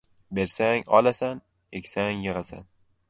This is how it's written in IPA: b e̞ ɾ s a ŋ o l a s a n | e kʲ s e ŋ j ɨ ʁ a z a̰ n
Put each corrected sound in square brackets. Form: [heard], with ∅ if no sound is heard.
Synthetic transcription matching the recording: b e̞ ɾ s a ŋ [ɒ] l a s a n | e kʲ s [a] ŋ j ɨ ʁ a [s] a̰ n

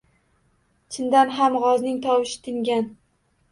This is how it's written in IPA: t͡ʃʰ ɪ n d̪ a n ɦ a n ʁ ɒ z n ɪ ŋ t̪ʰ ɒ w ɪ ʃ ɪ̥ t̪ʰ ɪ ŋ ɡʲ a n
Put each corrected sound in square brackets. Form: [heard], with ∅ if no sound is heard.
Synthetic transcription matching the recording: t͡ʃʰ ɪ n d̪ a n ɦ a [m] ʁ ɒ z n ɪ ŋ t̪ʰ ɒ w ɪ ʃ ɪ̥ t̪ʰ ɪ ŋ ɡʲ a n

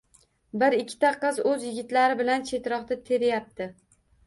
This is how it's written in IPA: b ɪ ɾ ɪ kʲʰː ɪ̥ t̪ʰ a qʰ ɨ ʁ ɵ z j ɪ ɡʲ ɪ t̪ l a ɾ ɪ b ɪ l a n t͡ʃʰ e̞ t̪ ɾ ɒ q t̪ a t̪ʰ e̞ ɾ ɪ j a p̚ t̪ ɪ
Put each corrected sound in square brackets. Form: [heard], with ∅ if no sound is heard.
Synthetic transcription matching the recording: b ɪ ɾ ɪ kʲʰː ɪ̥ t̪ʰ a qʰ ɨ [z] ɵ z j ɪ ɡʲ ɪ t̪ l a ɾ ɪ b ɪ l a n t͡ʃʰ e̞ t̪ ɾ ɒ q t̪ a t̪ʰ e̞ ɾ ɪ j a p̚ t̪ ɪ

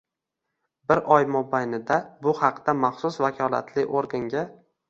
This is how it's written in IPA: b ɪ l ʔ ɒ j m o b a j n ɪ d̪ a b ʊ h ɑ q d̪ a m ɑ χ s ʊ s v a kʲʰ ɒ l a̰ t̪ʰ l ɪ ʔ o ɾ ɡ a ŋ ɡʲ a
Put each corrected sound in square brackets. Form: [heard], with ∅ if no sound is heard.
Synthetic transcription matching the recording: b ɪ [ɾ] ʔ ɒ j m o b a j n ɪ d̪ a b ʊ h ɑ q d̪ a m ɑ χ s ʊ s v a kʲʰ ɒ l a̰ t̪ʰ l ɪ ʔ o ɾ ɡ a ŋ ɡʲ a

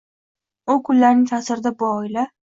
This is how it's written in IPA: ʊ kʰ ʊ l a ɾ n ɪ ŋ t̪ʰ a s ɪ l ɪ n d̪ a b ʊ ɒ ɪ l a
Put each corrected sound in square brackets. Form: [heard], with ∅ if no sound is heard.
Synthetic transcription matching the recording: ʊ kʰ ʊ [lː] a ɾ n ɪ ŋ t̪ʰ a s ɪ [ɾ] ɪ [∅] d̪ a b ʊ ɒ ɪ l a

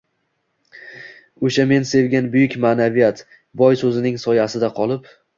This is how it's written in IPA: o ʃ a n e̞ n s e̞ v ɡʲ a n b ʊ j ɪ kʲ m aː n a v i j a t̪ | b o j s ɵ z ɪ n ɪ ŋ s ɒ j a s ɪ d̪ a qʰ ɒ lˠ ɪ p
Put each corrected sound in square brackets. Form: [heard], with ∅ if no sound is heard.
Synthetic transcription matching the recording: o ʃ a [m] e̞ n s e̞ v ɡʲ a n b ʊ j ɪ kʲ m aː n a v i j a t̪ | b [ɒ] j s ɵ z ɪ n ɪ ŋ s ɒ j a s ɪ d̪ a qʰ ɒ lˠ ɪ p

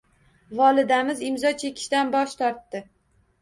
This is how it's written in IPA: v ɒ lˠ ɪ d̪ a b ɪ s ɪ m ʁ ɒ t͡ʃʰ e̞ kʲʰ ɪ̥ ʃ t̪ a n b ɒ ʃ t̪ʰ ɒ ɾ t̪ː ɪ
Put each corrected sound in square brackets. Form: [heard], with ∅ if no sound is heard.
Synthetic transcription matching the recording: v ɒ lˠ ɪ d̪ a [m] ɪ [z] ɪ m [z] ɒ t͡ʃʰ e̞ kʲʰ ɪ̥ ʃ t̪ a n b ɒ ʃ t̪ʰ ɒ ɾ t̪ː ɪ

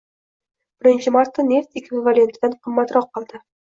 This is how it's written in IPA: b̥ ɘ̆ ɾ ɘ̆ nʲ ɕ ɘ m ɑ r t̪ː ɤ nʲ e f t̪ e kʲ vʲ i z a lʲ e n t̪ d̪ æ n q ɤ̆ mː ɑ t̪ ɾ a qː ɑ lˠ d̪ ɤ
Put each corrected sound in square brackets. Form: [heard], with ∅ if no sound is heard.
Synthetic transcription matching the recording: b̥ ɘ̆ ɾ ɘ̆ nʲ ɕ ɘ m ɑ r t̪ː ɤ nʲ e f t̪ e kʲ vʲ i [v] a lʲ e n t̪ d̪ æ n q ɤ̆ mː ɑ t̪ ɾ [ɑ] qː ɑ lˠ d̪ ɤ

